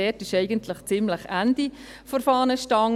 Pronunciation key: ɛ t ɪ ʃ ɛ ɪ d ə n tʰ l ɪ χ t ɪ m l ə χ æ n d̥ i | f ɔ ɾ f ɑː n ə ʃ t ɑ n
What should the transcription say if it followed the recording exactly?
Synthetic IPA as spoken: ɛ t ɪ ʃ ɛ ɪ ɡ ə n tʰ l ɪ χ t͡s ɪ m l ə χ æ n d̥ i | f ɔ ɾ f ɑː n ə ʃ t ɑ ŋ